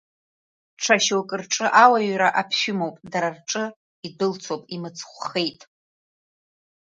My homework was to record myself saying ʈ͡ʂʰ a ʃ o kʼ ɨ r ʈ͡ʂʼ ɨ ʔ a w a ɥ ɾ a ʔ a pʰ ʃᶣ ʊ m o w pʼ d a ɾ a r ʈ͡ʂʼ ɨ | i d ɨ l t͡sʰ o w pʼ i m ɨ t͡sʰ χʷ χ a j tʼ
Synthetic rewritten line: ʈ͡ʂʰ a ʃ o kʼ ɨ r ʈ͡ʂʼ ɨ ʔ a w a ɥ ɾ a ʔ a pʰ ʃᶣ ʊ m o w pʼ d a ɾ a r ʈ͡ʂʼ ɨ | i d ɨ l t͡sʰ o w pʼ i m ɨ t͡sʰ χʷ χ e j tʼ